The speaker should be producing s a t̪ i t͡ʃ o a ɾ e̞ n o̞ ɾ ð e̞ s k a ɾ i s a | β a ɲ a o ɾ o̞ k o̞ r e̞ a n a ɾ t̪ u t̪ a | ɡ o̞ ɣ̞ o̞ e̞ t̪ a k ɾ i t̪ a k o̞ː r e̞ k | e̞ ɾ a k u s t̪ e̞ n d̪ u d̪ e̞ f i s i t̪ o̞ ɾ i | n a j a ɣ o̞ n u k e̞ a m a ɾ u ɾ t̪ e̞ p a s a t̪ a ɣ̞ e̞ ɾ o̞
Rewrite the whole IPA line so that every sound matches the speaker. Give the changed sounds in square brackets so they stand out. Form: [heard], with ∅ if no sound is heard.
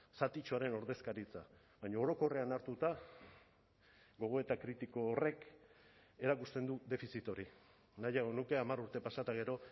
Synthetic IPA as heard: s a t̪ i t͡ʃ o a ɾ e̞ n o̞ ɾ ð e̞ s k a ɾ i [t͡s] a | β a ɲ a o ɾ o̞ k o̞ r e̞ a n a ɾ t̪ u t̪ a | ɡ o̞ ɣ̞ o̞ e̞ t̪ a k ɾ i t̪ [i] k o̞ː r e̞ k | e̞ ɾ a k u s t̪ e̞ n d̪ u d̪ e̞ f i s i t̪ o̞ ɾ i | n a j a ɣ o̞ n u k e̞ a m a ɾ u ɾ t̪ e̞ p a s a t̪ a ɣ̞ e̞ ɾ o̞